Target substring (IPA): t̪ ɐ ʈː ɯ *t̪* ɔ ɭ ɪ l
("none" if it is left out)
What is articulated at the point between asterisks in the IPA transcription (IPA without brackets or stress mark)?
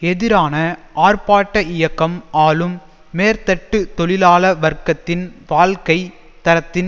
t̪